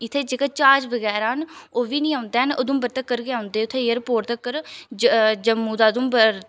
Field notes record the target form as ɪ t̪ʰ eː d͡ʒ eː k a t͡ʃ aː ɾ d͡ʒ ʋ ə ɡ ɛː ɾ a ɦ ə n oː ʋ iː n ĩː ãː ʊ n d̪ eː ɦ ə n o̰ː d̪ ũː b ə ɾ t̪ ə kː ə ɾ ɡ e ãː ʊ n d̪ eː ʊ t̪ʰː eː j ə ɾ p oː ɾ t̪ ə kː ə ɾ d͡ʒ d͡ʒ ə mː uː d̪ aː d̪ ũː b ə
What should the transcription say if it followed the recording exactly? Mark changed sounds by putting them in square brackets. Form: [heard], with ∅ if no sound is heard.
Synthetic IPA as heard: ɪ t̪ʰ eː d͡ʒ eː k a t͡ʃ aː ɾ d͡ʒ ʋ ə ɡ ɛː ɾ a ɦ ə n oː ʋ iː n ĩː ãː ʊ n d̪ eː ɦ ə n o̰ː d̪ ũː b ə ɾ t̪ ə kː ə ɾ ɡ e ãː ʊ n d̪ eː ʊ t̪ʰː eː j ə ɾ p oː ɾ t̪ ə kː ə ɾ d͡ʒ d͡ʒ ə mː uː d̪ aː d̪ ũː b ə